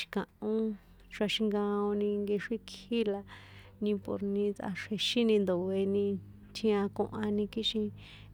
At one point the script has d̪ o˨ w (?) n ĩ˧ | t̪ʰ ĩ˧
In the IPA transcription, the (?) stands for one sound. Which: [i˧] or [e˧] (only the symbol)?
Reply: e˧